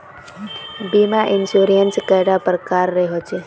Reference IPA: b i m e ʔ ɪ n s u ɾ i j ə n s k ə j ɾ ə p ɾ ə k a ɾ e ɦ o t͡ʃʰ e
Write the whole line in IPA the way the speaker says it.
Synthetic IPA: b i m a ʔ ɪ n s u ɾ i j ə n s k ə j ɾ a p ɾ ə k a ɾː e ɦ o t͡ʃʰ e